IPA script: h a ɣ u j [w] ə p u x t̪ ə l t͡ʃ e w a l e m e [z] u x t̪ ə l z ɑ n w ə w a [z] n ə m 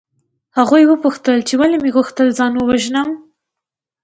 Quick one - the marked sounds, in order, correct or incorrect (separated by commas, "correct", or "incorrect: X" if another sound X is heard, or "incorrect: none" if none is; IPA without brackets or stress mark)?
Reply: correct, incorrect: ɣ, incorrect: ʒ